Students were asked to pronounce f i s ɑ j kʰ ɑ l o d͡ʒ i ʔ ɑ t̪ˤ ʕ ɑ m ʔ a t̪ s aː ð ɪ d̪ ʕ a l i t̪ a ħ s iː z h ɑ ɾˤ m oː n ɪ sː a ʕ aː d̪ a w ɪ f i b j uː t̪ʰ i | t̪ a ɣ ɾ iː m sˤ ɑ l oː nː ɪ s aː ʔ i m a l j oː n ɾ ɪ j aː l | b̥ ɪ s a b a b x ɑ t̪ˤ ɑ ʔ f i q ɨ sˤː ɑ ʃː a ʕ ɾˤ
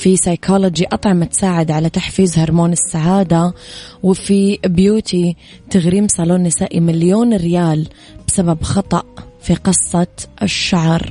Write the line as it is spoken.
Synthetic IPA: f i s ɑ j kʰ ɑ l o d͡ʒ i ʔ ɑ t̪ˤ ʕ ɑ m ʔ a t̪ s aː ʕ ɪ d̪ ʕ a l a t̪ a ħ f iː z h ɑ ɾˤ m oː n ɪ sː a ʕ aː d̪ a w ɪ f i b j uː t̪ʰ i | t̪ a ɣ ɾ iː m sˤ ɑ l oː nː ɪ s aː ʔ i m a l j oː n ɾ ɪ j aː l | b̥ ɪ s a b a b x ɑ t̪ˤ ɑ ʔ f i q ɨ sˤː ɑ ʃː a ʕ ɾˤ